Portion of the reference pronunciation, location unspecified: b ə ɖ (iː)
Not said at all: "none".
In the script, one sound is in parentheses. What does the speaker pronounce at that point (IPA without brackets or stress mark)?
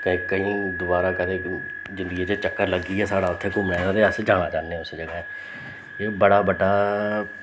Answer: aː